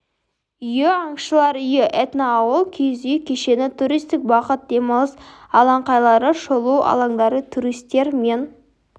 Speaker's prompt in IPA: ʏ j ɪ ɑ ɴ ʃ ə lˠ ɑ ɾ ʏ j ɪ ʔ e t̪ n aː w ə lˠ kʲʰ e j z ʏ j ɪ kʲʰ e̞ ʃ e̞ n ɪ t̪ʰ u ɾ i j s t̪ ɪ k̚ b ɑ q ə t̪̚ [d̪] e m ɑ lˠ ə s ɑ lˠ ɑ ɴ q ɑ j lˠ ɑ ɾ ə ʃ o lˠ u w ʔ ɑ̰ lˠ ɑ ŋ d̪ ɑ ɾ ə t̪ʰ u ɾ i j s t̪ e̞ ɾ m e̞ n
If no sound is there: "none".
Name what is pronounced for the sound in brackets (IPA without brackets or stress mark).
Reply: d̪